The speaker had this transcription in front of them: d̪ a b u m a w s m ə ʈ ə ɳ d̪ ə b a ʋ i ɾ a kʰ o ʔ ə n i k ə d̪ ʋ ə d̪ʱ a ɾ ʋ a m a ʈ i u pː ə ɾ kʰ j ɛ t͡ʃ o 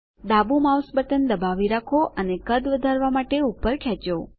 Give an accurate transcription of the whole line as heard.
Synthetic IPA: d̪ a b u m a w s b ə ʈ ə n d̪ ə b a ʋ i ɾ a kʰ o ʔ ə n e k ə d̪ ʋ ə d̪ʱ a ɾ ʋ a m a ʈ e u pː ə ɾ kʰ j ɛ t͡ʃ o